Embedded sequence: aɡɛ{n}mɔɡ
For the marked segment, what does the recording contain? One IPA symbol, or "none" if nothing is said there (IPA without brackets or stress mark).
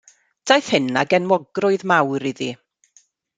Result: n